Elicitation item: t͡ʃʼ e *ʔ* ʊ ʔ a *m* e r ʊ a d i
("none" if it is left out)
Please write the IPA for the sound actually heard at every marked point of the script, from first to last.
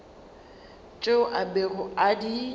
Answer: none, b

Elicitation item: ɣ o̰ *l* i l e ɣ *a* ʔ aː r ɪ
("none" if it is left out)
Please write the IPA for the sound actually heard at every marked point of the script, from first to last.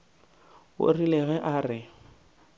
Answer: r, ɛ

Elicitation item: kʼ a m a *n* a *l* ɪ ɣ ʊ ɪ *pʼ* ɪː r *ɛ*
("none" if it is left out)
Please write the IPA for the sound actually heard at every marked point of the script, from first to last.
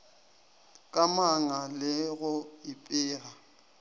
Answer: ŋ, l, pʼ, a

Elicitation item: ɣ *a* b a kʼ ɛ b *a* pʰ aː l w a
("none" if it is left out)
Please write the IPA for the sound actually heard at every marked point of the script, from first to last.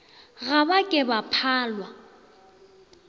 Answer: a, a

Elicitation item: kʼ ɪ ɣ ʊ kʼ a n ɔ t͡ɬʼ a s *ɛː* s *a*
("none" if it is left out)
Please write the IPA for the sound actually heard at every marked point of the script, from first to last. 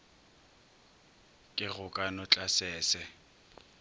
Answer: ɛː, ɛ

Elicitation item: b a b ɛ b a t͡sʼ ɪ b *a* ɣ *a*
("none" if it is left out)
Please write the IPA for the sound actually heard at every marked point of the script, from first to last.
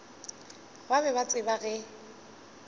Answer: a, ɛ

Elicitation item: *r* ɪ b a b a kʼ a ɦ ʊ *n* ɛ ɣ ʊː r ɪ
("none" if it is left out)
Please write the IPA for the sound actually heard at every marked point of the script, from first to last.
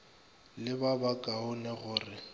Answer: l, n

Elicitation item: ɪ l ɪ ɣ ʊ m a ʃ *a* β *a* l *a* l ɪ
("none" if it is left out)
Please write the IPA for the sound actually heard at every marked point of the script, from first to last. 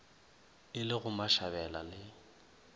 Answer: a, ɛ, a

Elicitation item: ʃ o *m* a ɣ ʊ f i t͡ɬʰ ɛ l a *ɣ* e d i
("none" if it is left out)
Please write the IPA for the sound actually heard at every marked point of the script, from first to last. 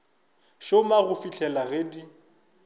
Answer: m, ɣ

